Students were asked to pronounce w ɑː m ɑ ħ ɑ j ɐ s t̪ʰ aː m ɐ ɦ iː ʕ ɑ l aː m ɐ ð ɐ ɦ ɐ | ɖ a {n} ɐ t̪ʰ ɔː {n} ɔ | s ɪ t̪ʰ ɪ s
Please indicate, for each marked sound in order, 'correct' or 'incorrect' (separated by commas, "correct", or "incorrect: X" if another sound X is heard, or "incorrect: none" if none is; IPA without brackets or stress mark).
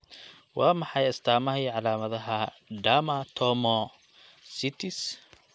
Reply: incorrect: m, incorrect: m